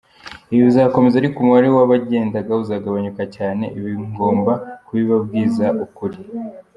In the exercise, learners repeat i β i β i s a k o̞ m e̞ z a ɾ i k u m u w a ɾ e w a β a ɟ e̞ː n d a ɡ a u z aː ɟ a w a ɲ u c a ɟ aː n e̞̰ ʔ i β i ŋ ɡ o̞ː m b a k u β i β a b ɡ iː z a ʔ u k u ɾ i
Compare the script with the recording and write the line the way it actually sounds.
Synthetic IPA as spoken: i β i β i z a k o̞ m e̞ z a ɾ i k u m u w a ɾ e w a β a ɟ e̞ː n d a ɡ a u z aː ɡ a β a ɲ u k a c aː n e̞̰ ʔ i β i ŋ ɡ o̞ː m b a k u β i β a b ɡ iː z a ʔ u k u ɾ i